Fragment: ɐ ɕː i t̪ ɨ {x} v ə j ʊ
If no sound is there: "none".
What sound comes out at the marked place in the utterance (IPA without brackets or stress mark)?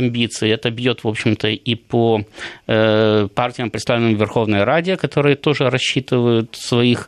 none